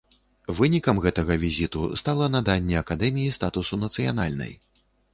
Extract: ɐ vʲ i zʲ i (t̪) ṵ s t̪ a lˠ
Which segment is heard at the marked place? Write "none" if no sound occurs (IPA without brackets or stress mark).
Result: t̪